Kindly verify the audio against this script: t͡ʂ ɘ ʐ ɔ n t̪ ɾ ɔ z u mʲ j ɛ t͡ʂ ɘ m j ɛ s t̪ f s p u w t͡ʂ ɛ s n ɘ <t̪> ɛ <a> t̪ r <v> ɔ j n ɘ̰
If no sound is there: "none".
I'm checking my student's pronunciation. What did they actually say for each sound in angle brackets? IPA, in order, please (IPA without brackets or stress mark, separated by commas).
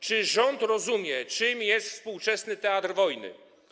t̪, a, v